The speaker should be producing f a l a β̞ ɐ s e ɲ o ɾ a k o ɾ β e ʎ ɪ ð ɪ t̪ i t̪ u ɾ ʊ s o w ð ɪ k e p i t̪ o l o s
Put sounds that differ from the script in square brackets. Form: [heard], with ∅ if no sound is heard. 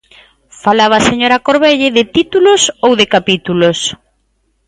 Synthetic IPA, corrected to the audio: f a l a β̞ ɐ s e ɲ o ɾ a k o ɾ β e ʎ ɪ ð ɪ t̪ i t̪ u [l] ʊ s o w ð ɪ k [a] p i t̪ [u] l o s